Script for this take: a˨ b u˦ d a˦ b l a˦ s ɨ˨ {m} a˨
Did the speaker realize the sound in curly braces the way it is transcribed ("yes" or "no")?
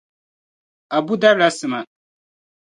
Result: yes